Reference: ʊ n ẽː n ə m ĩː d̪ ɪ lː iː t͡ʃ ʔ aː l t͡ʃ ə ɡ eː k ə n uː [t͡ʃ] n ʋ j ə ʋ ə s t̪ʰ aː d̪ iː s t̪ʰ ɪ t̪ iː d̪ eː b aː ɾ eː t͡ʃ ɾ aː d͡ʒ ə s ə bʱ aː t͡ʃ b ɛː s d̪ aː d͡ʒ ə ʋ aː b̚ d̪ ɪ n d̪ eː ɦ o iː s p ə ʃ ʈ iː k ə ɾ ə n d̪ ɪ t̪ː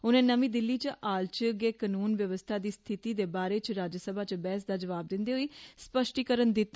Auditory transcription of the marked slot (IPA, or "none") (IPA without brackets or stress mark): none